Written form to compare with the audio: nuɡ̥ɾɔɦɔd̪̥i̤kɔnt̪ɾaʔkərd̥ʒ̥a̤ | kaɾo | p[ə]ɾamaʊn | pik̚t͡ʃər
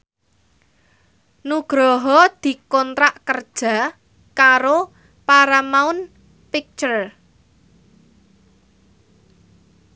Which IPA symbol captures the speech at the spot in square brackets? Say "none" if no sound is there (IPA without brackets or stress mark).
a